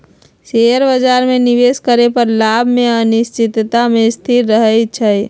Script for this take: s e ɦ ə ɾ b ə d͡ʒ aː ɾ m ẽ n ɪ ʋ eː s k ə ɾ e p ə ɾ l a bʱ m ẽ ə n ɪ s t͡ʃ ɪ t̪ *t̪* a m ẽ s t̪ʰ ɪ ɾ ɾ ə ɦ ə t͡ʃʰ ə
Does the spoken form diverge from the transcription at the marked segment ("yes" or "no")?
no